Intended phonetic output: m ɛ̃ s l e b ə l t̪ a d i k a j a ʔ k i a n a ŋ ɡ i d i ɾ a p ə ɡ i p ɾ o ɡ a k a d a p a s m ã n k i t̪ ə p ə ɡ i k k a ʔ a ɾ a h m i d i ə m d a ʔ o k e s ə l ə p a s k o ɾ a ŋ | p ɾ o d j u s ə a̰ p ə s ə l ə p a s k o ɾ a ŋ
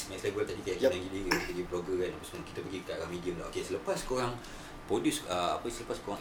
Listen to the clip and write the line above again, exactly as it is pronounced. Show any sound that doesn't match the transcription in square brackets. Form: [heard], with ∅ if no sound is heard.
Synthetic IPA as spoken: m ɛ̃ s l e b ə l t̪ a d i k a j a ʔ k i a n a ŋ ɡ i d i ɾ [i] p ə ɡ i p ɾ o ɡ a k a [n] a p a s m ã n k i t̪ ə p ə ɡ i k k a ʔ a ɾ a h m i d i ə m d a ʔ o k e s ə l ə p a s k o ɾ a ŋ | p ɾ o d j u s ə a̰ p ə s ə l ə p a s k o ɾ a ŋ